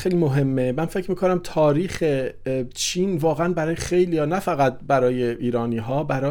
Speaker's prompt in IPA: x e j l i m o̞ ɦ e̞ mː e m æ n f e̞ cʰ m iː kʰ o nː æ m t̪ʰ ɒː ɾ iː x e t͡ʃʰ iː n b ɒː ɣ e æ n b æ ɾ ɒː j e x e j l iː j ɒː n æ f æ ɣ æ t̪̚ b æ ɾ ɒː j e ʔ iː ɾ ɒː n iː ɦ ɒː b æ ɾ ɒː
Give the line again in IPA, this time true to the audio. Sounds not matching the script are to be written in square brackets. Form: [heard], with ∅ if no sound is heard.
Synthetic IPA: x e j l i m o̞ ɦ e̞ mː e m æ n f e̞ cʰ m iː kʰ o [n] æ m t̪ʰ ɒː ɾ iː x e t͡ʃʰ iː n [v] ɒː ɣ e æ n b æ ɾ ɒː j e x e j l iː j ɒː n æ f æ ɣ æ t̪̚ b æ ɾ ɒː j e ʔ iː ɾ ɒː n iː ɦ ɒː b æ ɾ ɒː